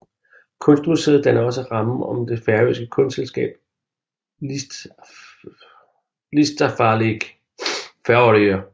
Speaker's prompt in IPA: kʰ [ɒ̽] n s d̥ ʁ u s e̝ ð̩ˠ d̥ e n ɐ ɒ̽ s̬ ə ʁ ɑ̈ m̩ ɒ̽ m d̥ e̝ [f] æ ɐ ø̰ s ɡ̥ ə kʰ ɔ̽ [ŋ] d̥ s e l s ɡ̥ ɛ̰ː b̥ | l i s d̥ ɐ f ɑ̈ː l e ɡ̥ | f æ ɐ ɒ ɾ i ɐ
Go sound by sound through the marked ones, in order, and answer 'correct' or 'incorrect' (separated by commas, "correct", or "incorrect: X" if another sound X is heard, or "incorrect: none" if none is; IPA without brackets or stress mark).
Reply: incorrect: ɔ̽, correct, incorrect: n